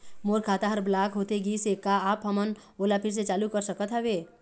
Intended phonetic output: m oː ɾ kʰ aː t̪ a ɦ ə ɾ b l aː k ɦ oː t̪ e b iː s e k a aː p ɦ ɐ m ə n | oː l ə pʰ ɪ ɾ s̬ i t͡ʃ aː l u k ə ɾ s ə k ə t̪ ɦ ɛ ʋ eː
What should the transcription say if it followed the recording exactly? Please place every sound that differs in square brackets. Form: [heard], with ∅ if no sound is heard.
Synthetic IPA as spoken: m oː ɾ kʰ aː t̪ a ɦ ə ɾ b l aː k ɦ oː t̪ e [ɡ] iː s e k a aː p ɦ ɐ m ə n | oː l [a] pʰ ɪ ɾ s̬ [e] t͡ʃ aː l u k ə ɾ s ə k ə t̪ ɦ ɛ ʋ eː